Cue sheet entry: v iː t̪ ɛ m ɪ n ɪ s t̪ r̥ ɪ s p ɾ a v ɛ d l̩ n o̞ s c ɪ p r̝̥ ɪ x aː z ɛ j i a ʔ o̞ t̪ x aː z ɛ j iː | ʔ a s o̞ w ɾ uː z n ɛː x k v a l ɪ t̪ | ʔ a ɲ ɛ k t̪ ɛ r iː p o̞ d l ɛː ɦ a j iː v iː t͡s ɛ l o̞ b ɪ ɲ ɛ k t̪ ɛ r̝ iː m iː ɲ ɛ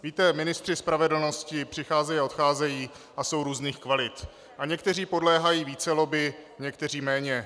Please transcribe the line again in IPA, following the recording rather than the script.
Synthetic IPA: v iː t̪ ɛ m ɪ n ɪ s t̪ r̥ ɪ s p ɾ a v ɛ d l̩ n o̞ s c ɪ p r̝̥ ɪ x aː z ɛ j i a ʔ o̞ t̪ x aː z ɛ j iː | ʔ a s o̞ w ɾ uː z n iː x k v a l ɪ t̪ | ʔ a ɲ ɛ k t̪ ɛ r iː p o̞ d l ɛː ɦ a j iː v iː t͡s ɛ l o̞ b ɪ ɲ ɛ k t̪ ɛ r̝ iː m ɛː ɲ ɛ